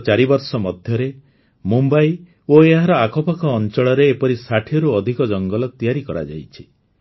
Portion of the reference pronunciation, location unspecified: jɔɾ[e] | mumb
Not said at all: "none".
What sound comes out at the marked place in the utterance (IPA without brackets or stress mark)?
e